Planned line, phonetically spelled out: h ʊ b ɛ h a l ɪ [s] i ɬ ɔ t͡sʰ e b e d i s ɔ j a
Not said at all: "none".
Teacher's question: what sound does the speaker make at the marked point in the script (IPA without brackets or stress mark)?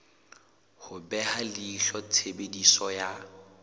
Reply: none